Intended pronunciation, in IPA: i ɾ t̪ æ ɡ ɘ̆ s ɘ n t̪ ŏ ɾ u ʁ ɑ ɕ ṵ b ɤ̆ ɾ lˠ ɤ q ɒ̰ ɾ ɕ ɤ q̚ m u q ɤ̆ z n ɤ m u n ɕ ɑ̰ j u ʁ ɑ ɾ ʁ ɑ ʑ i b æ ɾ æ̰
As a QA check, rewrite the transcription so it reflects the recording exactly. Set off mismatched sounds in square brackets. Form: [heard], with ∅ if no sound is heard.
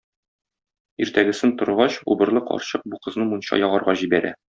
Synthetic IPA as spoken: i ɾ t̪ æ ɡ ɘ̆ s ɘ n t̪ ŏ ɾ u ʁ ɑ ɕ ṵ b ɤ̆ ɾ lˠ ɤ q ɒ̰ ɾ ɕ ɤ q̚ [b] u q ɤ̆ z n ɤ m u n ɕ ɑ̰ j [ɒ] ʁ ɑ ɾ ʁ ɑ ʑ i b æ ɾ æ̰